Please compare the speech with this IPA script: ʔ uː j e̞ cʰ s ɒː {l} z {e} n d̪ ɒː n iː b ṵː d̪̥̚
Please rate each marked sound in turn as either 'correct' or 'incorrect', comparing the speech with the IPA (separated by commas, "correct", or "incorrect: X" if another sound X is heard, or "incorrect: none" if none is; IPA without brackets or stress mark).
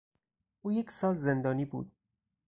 correct, correct